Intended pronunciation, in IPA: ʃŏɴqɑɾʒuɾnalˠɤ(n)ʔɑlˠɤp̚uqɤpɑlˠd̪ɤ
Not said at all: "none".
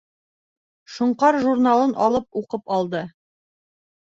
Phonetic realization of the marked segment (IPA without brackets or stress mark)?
n